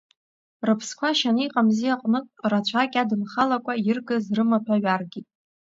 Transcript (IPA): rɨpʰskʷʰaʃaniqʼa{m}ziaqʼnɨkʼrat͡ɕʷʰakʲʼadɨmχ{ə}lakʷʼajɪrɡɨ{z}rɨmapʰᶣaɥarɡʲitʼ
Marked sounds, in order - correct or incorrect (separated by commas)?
correct, incorrect, correct